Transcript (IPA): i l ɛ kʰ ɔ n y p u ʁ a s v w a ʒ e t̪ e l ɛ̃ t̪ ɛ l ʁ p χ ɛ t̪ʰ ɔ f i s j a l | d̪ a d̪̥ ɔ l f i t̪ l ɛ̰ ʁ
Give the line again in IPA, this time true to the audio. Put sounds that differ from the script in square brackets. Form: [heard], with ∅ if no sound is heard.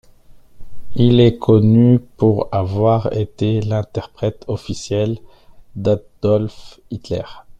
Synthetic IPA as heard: i l ɛ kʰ ɔ n y p u ʁ a [∅] v w a [ʁ] e t̪ e l ɛ̃ t̪ ɛ [∅] ʁ p χ ɛ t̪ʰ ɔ f i s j [ɛ] l | d̪ a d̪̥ ɔ l f i t̪ l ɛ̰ ʁ